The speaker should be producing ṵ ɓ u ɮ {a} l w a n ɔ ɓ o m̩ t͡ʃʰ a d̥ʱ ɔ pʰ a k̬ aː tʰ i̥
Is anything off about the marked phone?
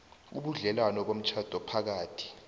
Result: yes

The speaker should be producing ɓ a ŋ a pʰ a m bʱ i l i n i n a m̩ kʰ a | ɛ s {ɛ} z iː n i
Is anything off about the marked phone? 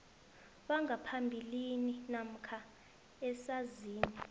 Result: yes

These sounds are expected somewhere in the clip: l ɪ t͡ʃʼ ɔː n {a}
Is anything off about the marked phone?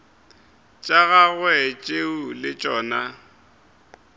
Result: no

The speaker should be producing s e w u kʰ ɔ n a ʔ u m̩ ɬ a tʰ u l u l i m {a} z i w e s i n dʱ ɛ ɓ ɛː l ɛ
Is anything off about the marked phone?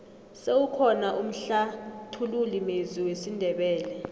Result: yes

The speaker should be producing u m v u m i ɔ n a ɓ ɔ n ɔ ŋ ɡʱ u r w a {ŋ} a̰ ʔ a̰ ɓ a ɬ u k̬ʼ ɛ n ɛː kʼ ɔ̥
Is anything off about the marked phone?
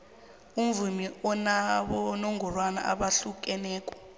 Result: yes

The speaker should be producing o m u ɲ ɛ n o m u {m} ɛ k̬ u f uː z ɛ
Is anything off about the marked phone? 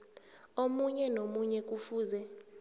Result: yes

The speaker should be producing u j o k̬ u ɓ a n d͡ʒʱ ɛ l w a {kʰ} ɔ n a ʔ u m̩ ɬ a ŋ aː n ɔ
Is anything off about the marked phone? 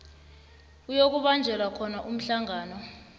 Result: no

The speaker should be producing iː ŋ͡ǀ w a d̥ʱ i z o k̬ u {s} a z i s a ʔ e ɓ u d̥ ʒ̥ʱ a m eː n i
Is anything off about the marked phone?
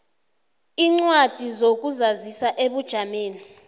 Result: yes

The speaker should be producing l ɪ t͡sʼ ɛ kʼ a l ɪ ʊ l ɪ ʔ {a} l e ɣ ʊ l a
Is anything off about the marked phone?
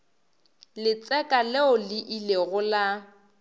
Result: yes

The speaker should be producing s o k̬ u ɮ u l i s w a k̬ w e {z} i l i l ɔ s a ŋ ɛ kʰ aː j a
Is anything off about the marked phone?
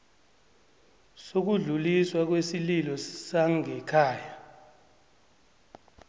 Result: yes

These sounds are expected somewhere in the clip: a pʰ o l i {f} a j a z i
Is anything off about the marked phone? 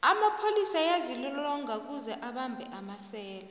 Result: yes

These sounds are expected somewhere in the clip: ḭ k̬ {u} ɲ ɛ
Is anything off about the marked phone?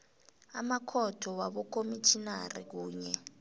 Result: yes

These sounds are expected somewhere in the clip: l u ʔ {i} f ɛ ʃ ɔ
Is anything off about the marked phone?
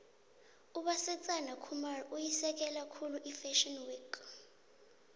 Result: no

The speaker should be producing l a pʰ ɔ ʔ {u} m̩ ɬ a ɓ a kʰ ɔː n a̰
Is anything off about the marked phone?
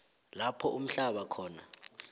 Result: no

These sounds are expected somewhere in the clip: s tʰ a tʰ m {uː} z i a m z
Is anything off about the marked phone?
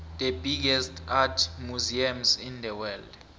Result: yes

